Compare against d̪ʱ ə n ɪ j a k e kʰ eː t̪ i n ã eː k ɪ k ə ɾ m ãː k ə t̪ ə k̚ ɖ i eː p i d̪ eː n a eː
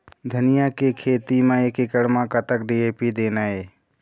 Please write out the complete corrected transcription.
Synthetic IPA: d̪ʱ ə n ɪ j a k e kʰ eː t̪ i m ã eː k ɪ k ə ɽ m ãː k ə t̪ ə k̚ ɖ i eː p i d̪ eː n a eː